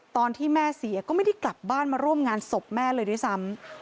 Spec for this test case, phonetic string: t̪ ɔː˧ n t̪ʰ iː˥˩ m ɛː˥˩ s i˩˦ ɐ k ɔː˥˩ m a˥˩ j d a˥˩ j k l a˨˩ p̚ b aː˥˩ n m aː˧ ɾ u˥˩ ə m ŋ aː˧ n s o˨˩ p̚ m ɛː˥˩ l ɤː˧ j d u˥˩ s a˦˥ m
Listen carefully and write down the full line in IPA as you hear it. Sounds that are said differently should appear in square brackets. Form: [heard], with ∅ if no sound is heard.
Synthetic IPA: t̪ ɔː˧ n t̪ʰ iː˥˩ m ɛː˥˩ s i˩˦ ɐ k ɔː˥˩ m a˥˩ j d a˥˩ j k l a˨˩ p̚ b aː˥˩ n m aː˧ ɾ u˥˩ ə m ŋ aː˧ n s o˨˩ p̚ m ɛː˥˩ l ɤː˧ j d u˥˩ s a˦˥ m